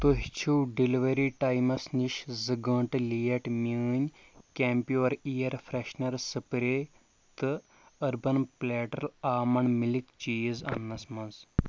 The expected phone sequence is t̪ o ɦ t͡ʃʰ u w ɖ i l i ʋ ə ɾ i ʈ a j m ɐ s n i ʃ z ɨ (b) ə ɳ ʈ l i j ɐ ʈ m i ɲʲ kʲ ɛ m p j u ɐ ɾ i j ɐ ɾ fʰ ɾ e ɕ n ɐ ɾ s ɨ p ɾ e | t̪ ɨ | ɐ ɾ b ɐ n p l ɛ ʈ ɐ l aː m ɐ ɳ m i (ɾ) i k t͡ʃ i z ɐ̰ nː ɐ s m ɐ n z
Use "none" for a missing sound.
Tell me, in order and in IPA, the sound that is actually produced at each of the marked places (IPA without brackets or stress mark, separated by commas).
ɡ, l